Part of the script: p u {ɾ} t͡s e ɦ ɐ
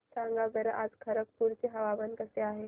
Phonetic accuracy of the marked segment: correct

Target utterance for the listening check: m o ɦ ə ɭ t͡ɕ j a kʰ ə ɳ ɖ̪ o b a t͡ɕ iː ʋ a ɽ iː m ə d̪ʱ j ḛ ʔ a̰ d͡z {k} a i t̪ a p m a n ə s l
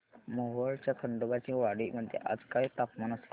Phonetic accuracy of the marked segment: correct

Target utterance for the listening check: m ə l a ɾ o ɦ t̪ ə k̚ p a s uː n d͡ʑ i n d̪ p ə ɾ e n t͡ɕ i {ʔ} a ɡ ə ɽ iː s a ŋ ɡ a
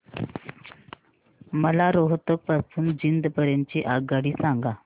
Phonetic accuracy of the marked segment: correct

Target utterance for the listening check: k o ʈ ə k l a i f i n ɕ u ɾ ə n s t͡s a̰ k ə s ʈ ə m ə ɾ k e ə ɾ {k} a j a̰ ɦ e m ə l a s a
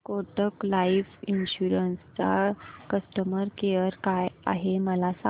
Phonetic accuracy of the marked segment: correct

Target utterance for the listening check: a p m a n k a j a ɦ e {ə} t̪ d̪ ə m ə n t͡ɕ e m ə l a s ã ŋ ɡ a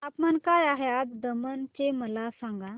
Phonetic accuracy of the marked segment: incorrect: a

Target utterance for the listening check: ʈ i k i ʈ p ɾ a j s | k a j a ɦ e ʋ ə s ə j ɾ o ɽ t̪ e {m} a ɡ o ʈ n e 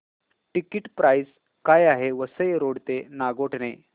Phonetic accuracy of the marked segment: incorrect: n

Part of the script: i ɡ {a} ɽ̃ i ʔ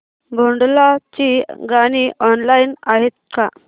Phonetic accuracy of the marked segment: correct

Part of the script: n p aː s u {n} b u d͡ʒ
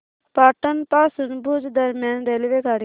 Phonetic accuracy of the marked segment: correct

